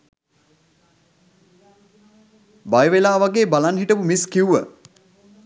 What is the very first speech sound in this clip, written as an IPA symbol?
b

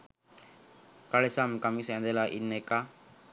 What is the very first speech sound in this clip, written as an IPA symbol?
k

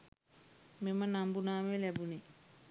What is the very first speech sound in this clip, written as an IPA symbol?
m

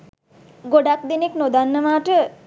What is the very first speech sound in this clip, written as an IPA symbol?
ɡ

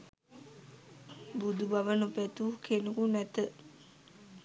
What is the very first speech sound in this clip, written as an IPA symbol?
b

